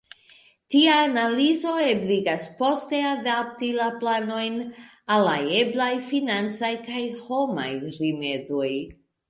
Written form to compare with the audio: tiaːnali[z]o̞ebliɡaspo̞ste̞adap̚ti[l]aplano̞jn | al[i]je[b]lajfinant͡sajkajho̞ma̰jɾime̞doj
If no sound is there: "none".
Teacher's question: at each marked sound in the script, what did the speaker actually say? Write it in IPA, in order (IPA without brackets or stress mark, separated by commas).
z, l, a, b